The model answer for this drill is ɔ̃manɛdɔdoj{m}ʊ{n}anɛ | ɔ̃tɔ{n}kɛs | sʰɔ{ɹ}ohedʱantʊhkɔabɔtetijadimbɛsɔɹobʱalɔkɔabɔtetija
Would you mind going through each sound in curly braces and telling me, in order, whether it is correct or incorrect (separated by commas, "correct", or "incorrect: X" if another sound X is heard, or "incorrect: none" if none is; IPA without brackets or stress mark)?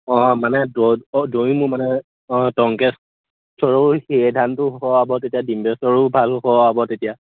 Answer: correct, incorrect: m, incorrect: ŋ, correct